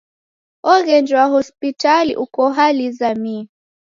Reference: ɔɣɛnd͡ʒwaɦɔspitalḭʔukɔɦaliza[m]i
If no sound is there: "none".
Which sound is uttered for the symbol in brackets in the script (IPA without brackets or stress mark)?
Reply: m